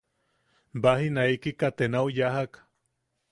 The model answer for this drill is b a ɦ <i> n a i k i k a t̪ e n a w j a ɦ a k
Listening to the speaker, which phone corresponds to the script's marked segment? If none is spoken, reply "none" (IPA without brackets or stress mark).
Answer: i